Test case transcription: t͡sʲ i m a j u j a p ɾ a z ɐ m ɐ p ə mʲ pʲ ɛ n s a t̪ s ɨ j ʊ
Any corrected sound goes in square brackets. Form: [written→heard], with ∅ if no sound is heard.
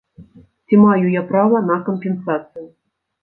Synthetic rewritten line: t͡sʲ i m a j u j a p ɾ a [z→v] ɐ [m→n] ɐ [p→k] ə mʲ pʲ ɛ n s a t̪ s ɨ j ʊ